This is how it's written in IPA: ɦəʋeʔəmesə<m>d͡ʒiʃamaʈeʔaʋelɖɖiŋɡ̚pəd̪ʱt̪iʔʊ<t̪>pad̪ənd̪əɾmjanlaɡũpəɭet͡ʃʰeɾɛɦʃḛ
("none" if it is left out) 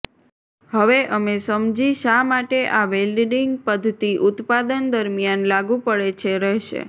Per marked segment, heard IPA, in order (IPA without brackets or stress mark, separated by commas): m, t̪